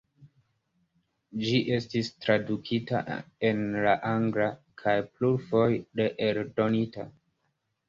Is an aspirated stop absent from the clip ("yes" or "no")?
no